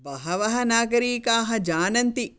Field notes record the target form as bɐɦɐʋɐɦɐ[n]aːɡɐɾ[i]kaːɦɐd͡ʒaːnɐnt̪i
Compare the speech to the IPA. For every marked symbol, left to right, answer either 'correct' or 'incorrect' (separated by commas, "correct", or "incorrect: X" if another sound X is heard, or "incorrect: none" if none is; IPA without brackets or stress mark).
correct, incorrect: iː